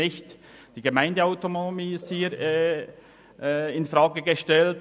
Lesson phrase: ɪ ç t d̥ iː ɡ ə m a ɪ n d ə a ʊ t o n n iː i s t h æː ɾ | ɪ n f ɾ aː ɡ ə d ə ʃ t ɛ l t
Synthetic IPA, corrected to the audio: ɪ ç t d̥ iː ɡ ə m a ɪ n d ə a ʊ t o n m iː ɪ s t h iː ɾ | ɪ n f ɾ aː ɡ ə ɡ ə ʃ t ɛ l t